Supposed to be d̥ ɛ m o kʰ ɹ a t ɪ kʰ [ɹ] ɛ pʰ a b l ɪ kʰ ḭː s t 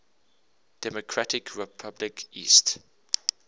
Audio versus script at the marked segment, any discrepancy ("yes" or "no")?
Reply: no